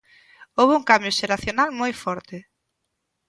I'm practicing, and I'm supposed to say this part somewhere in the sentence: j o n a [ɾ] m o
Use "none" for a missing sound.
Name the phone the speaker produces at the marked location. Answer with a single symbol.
l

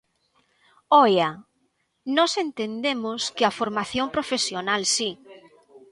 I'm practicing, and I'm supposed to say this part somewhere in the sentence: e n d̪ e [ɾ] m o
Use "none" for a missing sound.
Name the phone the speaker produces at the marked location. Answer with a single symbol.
none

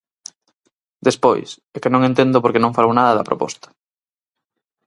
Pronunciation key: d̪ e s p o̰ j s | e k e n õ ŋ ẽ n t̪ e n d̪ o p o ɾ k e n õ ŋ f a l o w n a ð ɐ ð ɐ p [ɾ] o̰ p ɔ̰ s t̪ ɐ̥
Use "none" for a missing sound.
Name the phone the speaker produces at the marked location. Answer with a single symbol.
ɾ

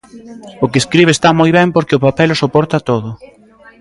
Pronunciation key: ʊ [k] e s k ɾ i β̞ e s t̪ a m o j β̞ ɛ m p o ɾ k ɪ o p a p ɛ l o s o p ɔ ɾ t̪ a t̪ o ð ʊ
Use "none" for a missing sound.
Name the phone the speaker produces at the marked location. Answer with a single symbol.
k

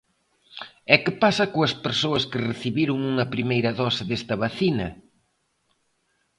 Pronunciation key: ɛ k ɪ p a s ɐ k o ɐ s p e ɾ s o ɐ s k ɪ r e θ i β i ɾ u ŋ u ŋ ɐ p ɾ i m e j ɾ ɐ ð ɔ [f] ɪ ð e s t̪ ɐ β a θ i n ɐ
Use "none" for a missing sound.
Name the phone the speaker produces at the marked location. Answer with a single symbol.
s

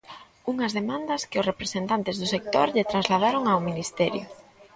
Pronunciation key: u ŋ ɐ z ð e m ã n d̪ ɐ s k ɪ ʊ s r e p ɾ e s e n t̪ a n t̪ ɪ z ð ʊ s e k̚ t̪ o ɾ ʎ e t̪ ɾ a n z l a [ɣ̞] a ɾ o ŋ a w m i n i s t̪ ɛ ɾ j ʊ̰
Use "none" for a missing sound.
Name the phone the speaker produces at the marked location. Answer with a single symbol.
ð̞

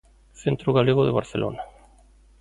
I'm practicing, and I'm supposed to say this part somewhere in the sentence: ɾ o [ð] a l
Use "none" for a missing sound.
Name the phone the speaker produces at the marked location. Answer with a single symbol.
ɣ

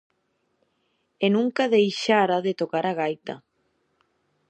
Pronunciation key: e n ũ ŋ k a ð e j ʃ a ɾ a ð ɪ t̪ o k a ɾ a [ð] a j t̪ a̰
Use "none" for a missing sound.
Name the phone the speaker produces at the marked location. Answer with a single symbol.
ɣ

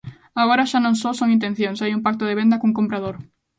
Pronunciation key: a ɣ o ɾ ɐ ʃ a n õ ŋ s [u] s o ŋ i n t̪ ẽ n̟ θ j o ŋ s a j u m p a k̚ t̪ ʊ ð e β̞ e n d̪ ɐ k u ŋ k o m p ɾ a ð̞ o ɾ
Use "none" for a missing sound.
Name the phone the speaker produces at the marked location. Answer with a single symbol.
o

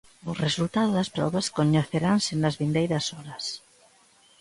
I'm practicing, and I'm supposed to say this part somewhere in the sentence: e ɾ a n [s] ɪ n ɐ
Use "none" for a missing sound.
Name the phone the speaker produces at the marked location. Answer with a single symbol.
s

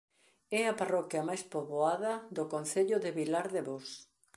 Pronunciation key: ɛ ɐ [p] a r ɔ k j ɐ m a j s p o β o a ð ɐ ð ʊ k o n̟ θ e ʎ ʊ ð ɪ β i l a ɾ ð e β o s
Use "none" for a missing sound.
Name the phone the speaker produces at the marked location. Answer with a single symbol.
p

